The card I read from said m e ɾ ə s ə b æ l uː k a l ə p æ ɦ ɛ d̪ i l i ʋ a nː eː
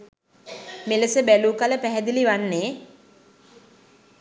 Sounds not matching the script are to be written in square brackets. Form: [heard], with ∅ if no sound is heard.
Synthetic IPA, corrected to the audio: m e [l] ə s ə b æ l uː k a l ə p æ ɦ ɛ d̪ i l i ʋ a nː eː